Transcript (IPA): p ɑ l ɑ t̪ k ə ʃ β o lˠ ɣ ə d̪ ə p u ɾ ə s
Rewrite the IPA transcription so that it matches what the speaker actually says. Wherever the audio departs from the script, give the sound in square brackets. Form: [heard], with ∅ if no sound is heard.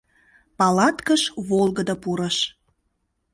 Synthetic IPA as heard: p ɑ l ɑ t̪ k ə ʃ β o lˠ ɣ ə d̪ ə p u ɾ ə [ʃ]